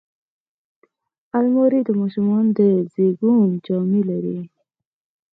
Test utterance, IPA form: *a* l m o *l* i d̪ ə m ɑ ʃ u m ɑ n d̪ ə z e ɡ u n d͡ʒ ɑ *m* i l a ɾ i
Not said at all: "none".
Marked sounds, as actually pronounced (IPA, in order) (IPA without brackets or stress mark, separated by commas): a, ɾ, m